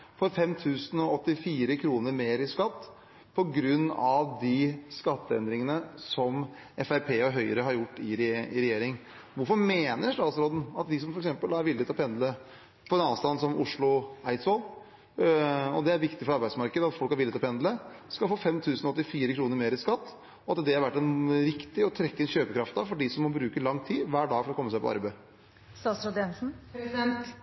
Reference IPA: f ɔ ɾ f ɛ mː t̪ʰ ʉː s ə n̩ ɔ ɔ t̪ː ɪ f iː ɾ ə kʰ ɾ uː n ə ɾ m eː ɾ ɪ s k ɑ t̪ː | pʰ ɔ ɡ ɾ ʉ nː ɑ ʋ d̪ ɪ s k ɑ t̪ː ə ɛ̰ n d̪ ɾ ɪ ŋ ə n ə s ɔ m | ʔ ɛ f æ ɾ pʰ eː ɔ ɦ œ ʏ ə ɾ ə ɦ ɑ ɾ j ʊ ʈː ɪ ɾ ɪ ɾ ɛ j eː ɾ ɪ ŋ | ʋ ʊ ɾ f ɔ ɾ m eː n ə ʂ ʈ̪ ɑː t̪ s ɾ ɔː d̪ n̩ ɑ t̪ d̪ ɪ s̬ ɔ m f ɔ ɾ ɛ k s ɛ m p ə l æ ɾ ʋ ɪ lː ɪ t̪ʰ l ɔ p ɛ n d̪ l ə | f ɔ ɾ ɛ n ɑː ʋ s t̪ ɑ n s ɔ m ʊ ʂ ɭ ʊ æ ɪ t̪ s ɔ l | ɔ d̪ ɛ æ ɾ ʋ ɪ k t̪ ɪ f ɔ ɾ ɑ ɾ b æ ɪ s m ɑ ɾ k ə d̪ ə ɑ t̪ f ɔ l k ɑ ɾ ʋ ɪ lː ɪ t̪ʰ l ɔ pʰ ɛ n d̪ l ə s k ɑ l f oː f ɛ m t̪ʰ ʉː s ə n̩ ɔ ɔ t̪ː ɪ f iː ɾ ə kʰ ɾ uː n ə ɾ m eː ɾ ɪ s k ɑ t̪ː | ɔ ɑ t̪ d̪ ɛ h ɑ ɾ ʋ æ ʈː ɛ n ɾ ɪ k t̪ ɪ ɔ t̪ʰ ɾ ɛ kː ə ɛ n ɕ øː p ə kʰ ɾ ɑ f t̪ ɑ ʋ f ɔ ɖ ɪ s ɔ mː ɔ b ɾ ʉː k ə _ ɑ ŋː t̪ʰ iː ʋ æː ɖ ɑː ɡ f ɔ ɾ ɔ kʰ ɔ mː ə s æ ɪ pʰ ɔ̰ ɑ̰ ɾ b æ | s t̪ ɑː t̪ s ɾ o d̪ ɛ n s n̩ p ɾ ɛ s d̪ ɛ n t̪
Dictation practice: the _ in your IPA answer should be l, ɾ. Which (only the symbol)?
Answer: l